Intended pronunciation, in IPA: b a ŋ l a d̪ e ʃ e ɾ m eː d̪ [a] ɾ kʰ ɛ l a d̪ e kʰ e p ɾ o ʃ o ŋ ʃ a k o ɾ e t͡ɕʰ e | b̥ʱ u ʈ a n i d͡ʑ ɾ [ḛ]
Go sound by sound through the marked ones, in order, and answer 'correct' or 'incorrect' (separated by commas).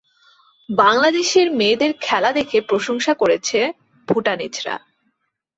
incorrect, incorrect